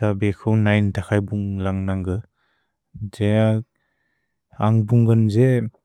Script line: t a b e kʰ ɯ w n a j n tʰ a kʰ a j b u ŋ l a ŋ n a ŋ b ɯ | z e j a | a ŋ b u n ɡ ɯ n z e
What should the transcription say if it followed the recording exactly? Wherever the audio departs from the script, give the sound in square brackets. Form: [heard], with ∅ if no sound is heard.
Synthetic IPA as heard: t a b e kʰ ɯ w n a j n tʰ a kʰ a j b u ŋ l a ŋ n a ŋ [ɡ] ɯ | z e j a | a ŋ b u [ŋ] ɡ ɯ n z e